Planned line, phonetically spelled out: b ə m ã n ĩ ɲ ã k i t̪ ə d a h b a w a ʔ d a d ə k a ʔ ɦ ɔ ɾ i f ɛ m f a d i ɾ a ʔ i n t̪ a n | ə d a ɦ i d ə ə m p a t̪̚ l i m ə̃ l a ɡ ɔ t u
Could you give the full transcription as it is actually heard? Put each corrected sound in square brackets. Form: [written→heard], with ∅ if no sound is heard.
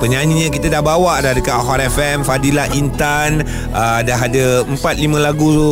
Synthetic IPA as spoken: [b→p] ə [m→ɲ] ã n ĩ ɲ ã k i t̪ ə d a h b a w a ʔ d a d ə k a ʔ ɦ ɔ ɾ [i→ɛ] f ɛ m f a d i [ɾ→l] a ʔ i n t̪ a n | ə d a ɦ [i→a] d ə ə m p a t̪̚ l i m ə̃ l a ɡ [ɔ→u] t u